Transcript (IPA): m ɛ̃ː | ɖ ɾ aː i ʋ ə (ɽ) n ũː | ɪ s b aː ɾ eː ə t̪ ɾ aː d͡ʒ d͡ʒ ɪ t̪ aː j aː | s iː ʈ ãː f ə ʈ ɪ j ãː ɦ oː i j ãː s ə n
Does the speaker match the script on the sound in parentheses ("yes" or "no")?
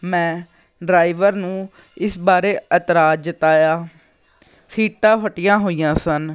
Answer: no